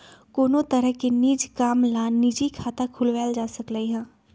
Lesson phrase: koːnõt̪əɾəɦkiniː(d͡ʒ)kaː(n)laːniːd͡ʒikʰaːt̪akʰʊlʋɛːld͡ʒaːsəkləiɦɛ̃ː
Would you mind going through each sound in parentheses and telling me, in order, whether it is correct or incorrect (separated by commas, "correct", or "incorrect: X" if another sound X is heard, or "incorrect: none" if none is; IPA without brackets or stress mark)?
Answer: correct, incorrect: m